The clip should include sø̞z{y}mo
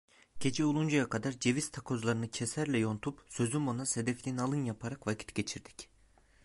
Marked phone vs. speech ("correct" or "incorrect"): correct